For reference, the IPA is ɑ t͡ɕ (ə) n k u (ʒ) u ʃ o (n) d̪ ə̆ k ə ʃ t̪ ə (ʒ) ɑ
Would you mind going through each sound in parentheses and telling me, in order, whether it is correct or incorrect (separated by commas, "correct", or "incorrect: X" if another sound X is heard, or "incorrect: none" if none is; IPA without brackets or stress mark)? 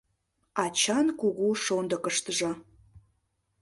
incorrect: ɑ, incorrect: ɣ, correct, correct